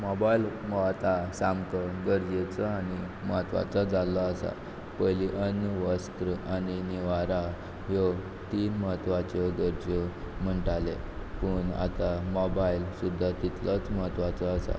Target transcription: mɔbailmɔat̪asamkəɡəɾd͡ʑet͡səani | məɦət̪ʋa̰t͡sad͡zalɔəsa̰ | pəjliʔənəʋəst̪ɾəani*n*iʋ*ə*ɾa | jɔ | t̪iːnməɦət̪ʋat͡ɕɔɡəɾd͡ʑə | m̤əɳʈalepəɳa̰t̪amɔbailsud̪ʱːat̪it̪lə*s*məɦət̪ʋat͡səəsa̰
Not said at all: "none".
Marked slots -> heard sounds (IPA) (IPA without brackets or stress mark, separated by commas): n, a, t͡s